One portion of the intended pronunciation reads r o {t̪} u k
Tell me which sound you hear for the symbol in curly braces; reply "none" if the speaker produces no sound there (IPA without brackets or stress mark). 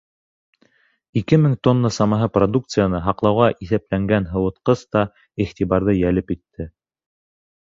d̪